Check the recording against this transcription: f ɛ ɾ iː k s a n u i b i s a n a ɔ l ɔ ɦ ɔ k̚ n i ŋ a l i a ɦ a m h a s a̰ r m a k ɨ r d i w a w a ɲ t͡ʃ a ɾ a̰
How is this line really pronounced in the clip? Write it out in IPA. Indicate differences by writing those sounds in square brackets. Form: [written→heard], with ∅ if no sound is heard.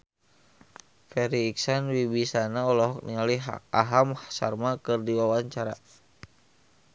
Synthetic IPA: f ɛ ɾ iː k s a n [u→w] i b i s a n a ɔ l ɔ ɦ ɔ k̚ n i ŋ a l i a ɦ a m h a s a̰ r m a k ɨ r d i w a w a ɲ t͡ʃ a ɾ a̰